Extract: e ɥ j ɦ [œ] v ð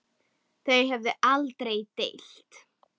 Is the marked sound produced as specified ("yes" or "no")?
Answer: no